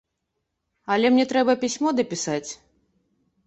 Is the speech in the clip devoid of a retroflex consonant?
yes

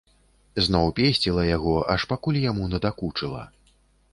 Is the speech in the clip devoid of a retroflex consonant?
no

